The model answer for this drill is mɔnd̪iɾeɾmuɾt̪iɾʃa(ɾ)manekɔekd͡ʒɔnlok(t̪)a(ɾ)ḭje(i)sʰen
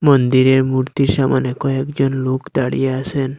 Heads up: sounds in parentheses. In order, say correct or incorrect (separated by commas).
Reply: incorrect, incorrect, incorrect, incorrect